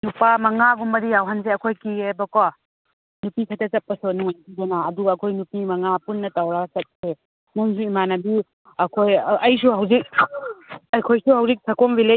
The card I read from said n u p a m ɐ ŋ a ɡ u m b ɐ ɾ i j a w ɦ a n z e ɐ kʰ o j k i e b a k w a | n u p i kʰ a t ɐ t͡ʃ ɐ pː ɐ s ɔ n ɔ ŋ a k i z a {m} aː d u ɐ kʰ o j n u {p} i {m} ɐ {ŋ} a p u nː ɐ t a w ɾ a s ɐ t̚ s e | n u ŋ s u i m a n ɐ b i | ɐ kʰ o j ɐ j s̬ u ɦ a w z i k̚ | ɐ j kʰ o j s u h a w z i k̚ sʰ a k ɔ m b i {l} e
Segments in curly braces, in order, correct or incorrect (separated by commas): incorrect, correct, correct, correct, correct